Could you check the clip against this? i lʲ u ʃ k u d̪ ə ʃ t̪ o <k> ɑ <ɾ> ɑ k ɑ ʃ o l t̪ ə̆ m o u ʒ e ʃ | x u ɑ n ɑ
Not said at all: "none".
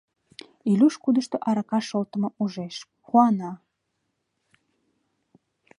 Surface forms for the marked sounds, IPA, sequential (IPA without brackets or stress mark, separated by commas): ʔ, ɾ